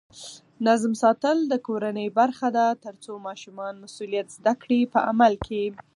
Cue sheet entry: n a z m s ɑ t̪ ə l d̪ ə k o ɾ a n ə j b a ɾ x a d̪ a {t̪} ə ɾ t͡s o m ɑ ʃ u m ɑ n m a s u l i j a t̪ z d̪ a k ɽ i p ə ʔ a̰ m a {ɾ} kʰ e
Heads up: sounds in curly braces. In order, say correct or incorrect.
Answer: correct, incorrect: l

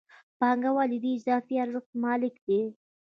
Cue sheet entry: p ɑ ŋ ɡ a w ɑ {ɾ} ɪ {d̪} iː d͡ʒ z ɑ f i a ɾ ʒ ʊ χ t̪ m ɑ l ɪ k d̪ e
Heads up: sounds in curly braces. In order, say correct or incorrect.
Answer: incorrect: l, correct

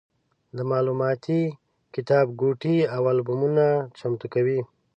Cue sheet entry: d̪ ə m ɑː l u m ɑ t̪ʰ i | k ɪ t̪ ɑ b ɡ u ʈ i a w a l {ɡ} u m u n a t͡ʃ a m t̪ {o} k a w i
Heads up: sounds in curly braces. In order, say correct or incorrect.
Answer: incorrect: b, incorrect: u

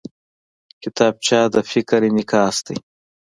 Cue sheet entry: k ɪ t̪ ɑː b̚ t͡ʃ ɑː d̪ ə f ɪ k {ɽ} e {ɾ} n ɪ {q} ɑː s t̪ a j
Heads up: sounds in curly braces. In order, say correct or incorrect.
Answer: incorrect: ɾ, incorrect: none, incorrect: k

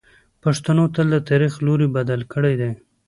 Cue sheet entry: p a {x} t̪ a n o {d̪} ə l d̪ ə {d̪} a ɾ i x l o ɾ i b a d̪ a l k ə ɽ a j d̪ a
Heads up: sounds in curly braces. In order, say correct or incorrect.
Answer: incorrect: ʂ, incorrect: t̪, incorrect: t̪

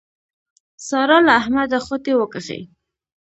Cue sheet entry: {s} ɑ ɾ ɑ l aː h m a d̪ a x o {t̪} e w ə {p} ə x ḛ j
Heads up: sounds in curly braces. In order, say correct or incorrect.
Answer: correct, correct, incorrect: k

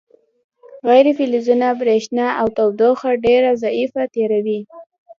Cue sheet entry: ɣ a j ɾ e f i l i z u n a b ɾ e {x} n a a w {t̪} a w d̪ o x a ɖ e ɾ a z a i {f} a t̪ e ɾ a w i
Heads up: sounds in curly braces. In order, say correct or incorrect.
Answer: incorrect: ʃ, correct, correct

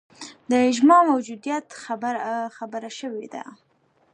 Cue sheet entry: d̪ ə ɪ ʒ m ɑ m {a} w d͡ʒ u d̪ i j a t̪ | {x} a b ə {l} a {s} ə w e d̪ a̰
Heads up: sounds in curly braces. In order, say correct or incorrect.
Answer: correct, correct, incorrect: ɾ, incorrect: ʃ

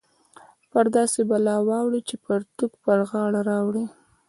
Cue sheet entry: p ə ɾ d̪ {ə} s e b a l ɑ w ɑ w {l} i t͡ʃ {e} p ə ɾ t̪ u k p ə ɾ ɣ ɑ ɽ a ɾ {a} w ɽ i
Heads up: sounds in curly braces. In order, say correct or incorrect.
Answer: incorrect: ɑ, incorrect: ɽ, correct, incorrect: ɑ

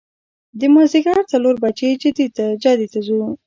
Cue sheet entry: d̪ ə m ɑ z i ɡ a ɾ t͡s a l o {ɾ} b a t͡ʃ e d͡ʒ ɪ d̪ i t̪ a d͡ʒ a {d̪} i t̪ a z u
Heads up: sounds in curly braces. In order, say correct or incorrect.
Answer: correct, correct

